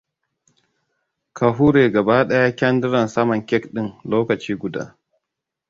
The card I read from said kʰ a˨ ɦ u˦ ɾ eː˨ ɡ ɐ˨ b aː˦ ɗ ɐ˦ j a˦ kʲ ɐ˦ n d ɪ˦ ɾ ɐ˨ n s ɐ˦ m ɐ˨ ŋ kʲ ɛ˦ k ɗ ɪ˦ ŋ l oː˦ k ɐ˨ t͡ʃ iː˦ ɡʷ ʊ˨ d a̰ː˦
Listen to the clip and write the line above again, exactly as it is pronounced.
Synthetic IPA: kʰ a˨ ɦ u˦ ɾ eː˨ ɡ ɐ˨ b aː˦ ɗ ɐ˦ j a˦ kʲ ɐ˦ n d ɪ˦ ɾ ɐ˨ n s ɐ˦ m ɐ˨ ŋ kʲ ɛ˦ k ɗ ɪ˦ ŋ l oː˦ k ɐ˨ t͡ʃ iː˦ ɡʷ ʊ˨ d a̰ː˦